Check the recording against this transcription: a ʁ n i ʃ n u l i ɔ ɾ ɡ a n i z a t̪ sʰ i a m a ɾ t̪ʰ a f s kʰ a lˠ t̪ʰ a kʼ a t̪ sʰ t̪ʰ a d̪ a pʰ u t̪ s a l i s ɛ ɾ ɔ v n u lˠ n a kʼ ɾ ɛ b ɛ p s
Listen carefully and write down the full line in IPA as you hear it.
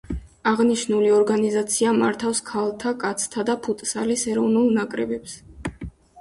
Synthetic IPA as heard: a ʁ n i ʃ n u l i ɔ ɾ ɡ a n i z a t̪ sʰ i a m a ɾ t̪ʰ a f s kʰ a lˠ t̪ʰ a kʼ a t̪ sʰ t̪ʰ a d̪ a pʰ u t̪ʼ s a l i s ɛ ɾ ɔ v n u lˠ n a kʼ ɾ ɛ b ɛ p s